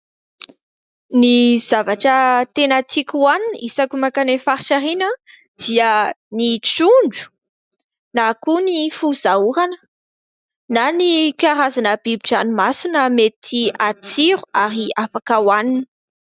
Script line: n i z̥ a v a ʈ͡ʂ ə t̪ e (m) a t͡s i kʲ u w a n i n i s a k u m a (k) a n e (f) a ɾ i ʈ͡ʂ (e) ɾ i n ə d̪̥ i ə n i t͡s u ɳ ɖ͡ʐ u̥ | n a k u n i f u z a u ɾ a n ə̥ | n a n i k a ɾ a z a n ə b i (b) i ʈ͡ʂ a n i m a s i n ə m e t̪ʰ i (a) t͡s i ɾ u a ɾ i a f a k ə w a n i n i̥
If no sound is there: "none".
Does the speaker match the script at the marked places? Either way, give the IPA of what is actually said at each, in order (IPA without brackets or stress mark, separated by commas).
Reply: n, k, f, a, b, a